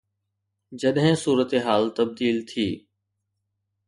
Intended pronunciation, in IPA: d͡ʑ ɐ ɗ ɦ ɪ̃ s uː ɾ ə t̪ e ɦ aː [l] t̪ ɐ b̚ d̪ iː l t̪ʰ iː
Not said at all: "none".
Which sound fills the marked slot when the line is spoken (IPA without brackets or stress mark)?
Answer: l